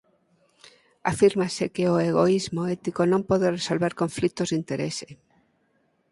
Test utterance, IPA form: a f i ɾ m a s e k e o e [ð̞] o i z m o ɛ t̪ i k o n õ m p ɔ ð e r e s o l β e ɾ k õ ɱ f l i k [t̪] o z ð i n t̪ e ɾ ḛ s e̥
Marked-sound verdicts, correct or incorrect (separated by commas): incorrect, correct